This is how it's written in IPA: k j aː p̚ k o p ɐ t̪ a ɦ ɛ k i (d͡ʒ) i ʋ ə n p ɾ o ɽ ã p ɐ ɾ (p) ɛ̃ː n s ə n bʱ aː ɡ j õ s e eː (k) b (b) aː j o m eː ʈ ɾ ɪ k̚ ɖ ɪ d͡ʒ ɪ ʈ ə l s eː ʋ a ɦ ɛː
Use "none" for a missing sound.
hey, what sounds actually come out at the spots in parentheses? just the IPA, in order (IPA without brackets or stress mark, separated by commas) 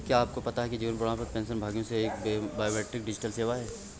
d͡ʒ, p, k, b